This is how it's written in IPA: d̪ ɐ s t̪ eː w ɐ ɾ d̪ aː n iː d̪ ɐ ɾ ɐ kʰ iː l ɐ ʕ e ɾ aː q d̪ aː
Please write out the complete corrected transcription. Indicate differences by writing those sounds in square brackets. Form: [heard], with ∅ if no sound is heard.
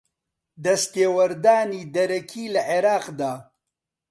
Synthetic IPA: d̪ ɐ s t̪ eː w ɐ ɾ d̪ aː n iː d̪ ɐ ɾ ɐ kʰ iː l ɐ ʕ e ɾ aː q d̪ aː